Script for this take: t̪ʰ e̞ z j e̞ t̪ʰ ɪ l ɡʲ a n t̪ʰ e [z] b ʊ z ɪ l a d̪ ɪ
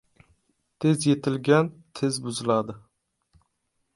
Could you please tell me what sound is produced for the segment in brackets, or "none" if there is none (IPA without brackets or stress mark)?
z